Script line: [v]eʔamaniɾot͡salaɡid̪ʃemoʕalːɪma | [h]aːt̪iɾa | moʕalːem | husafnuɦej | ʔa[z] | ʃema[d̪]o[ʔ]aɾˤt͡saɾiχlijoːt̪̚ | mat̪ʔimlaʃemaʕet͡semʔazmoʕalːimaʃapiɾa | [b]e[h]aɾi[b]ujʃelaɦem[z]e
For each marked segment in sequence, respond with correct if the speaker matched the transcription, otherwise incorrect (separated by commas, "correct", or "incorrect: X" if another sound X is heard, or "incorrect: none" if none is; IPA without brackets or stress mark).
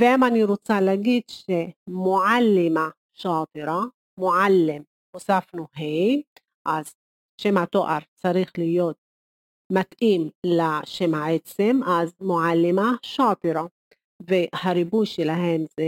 correct, incorrect: ʃ, correct, incorrect: t̪, correct, incorrect: v, correct, correct, correct